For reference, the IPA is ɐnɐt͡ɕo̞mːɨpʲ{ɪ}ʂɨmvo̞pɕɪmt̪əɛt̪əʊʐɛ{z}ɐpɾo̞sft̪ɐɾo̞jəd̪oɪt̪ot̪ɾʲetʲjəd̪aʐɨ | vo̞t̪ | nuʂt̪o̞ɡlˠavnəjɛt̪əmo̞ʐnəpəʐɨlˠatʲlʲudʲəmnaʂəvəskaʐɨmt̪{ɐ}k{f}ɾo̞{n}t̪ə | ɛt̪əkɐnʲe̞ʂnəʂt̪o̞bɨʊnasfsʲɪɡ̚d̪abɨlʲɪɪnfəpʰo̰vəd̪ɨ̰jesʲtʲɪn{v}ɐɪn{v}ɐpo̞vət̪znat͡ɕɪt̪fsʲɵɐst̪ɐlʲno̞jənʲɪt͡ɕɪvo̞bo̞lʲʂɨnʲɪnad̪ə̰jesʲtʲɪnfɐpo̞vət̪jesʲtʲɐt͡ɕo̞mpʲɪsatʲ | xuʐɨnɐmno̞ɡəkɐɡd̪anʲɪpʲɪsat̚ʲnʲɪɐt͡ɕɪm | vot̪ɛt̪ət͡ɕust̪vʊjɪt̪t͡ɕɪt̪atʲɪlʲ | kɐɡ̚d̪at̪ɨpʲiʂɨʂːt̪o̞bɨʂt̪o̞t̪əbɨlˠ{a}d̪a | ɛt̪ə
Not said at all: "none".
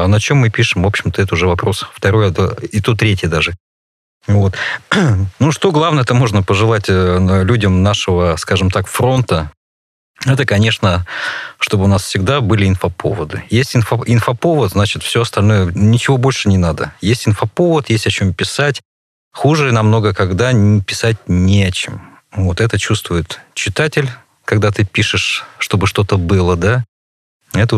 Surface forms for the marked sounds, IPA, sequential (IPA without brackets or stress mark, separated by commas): i, v, a, f, n, f, f, ə